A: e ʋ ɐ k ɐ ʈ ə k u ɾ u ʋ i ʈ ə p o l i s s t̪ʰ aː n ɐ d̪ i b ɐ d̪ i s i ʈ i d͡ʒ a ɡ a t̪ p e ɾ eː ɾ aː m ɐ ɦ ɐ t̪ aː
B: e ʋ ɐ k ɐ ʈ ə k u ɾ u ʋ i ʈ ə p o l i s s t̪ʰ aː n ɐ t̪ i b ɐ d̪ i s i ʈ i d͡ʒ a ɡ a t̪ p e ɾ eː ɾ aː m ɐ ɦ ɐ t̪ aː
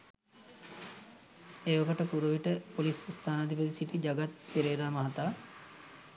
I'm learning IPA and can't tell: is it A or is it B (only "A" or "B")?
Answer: A